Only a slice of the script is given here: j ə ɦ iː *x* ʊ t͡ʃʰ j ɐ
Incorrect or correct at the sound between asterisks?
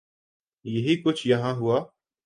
incorrect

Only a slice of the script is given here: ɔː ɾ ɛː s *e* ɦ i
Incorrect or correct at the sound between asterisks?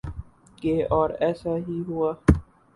incorrect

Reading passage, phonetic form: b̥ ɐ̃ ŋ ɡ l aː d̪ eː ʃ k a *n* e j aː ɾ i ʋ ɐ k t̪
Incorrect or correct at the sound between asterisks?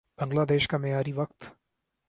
incorrect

